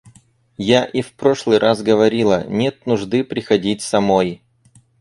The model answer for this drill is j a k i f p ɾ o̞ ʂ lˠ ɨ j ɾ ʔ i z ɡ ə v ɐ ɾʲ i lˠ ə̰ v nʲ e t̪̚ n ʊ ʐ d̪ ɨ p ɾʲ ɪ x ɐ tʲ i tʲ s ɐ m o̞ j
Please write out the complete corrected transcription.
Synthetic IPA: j a ʔ i f p ɾ o̞ ʂ lˠ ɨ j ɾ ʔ a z ɡ ə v ɐ ɾʲ i lˠ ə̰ nʲ e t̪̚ n ʊ ʐ d̪ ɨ p ɾʲ ɪ x ɐ dʲ i tʲ s ɐ m o̞ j